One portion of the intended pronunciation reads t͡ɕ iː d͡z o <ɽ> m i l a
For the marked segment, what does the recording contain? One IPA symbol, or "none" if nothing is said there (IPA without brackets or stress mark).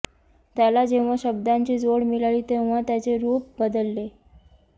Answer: ɽ